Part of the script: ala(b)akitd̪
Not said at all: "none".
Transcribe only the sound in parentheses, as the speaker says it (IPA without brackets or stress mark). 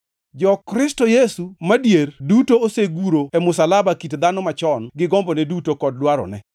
b